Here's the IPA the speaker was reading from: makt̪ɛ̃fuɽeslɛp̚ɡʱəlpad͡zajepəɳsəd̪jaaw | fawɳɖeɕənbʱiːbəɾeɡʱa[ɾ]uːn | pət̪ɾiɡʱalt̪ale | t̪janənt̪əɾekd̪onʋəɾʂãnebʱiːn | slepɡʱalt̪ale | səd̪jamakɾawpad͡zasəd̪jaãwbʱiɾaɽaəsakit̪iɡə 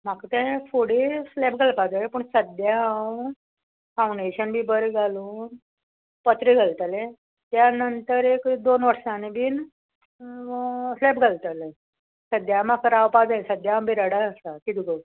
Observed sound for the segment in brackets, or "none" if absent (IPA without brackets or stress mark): l